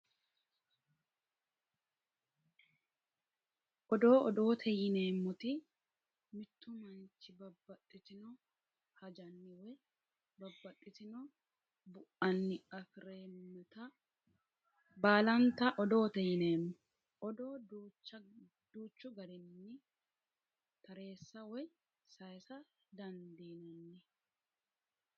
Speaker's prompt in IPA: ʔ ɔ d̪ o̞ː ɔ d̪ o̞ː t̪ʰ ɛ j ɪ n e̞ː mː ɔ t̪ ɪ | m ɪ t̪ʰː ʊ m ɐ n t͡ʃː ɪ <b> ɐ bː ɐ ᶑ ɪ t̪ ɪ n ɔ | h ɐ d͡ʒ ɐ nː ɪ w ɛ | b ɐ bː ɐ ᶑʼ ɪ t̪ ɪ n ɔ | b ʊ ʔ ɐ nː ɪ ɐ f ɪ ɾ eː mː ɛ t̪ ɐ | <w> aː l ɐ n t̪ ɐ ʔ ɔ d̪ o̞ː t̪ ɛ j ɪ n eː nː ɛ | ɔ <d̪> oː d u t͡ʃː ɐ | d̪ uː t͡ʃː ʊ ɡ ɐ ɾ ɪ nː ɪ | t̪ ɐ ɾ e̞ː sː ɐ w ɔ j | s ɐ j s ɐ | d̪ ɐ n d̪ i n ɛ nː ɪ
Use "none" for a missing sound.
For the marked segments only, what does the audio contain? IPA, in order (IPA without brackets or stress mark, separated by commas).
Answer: b, b, d̪